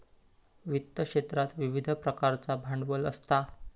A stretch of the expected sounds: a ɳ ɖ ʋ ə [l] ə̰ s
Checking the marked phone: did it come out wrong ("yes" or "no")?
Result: no